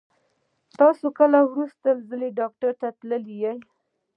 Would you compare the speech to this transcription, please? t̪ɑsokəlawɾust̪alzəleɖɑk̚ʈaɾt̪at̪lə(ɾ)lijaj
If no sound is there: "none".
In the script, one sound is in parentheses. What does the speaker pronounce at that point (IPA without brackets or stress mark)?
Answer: none